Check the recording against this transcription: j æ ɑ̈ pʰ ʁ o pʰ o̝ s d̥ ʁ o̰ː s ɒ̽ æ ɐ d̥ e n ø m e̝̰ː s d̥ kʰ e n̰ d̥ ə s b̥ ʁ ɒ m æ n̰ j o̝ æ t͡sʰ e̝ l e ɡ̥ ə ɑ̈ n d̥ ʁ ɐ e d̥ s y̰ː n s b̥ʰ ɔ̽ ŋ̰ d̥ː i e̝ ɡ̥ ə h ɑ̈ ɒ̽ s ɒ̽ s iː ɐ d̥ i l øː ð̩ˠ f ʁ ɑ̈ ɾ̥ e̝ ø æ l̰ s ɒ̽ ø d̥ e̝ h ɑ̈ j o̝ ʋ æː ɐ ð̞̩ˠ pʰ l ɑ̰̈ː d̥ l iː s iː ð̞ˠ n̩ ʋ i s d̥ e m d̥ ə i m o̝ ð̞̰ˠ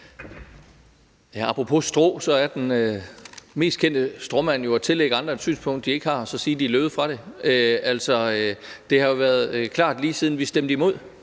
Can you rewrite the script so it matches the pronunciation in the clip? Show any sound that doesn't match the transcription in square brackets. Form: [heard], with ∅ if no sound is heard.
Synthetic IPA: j æ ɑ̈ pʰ ʁ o pʰ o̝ s d̥ ʁ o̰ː s ɒ̽ æ ɐ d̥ e n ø m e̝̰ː s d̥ kʰ e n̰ d̥ ə s [d̥] ʁ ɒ m æ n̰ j o̝ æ t͡sʰ e̝ l e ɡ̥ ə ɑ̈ n d̥ ʁ ɐ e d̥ s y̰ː n s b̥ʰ ɔ̽ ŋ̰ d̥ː i e̝ ɡ̥ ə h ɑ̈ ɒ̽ s ɒ̽ s iː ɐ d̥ i l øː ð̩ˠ f ʁ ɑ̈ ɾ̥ e̝ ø æ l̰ s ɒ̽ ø d̥ e̝ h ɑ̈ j o̝ ʋ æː ɐ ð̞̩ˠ [kʰ] l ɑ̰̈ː d̥ l iː s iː ð̞ˠ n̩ ʋ i s d̥ e m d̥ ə i m o̝ ð̞̰ˠ

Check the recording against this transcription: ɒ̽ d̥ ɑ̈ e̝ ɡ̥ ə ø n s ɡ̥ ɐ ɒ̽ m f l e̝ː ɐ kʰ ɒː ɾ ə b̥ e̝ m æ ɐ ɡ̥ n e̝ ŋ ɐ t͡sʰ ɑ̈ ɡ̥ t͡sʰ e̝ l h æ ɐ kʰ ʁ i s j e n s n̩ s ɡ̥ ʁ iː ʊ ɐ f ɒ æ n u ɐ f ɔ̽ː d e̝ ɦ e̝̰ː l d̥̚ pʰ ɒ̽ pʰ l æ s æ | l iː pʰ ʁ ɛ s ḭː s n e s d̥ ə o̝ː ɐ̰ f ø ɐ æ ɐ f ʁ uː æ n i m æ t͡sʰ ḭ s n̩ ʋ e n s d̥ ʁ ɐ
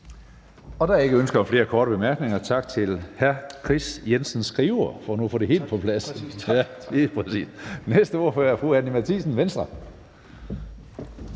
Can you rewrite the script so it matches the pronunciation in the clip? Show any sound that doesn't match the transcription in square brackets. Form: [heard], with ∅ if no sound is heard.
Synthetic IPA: ɒ̽ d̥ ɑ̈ e̝ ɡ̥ ə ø n s ɡ̥ ɐ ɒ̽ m f l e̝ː ɐ kʰ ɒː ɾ ə b̥ e̝ m æ ɐ ɡ̥ n e̝ ŋ ɐ t͡sʰ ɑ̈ ɡ̥ t͡sʰ e̝ l h æ ɐ kʰ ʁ i s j e n s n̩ s ɡ̥ ʁ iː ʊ ɐ f ɒ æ n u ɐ f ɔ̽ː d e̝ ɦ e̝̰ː l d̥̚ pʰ ɒ̽ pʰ l æ s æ | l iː pʰ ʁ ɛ s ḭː s n e s d̥ ə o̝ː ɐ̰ f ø ɐ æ ɐ f ʁ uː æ n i m æ t͡sʰ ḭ s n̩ ʋ e n s d̥ ʁ ɐ

